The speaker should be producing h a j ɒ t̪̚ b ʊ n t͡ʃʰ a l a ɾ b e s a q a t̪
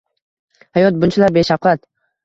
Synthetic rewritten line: h a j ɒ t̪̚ b ʊ n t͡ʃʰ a l a ɾ b e ʃ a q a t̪